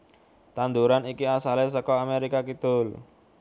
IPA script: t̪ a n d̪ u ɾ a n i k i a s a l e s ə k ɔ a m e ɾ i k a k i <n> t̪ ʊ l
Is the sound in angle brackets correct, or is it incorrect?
incorrect